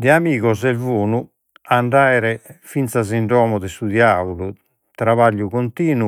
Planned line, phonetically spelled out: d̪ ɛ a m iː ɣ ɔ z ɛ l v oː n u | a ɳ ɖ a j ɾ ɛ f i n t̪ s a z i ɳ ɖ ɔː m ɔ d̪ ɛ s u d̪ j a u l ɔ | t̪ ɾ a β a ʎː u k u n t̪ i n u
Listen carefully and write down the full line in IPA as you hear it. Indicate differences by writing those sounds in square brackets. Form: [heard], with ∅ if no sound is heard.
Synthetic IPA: d̪ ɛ a m iː ɣ ɔ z ɛ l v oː n u | a ɳ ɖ a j ɾ ɛ f i n t̪ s a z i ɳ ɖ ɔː m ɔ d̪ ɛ s u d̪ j a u l [u] | t̪ ɾ a β a ʎː u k [o] n t̪ [iː] n u